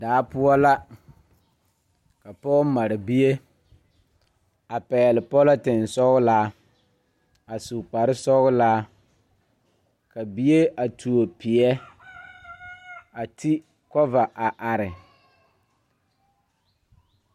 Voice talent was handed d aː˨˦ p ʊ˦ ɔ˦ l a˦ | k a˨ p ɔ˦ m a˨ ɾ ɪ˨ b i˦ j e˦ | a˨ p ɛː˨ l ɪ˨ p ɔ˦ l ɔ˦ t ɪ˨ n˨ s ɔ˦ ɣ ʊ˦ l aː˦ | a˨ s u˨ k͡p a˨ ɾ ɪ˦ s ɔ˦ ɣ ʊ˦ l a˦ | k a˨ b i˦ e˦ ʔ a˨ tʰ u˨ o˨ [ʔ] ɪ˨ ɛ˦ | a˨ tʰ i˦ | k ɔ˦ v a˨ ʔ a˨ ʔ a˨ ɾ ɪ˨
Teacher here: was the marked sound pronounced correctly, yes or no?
no